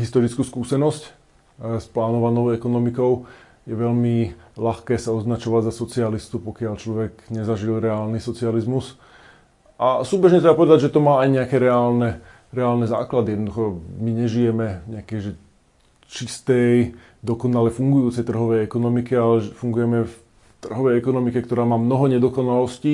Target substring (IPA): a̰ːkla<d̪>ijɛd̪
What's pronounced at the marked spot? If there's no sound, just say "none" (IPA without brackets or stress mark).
d̪